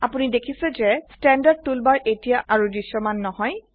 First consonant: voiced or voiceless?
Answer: voiceless